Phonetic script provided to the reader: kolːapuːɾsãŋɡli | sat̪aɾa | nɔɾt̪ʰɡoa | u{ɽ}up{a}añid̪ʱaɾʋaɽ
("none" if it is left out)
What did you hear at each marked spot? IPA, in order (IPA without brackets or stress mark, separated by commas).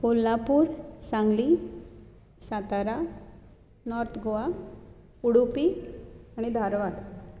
ɽ, i